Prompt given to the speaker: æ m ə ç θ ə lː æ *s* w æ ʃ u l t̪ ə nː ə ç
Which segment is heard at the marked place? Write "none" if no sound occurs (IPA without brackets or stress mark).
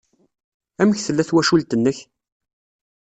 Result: θ